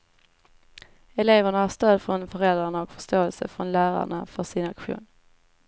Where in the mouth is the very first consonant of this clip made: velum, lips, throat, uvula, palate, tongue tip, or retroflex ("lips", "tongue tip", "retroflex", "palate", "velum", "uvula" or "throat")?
tongue tip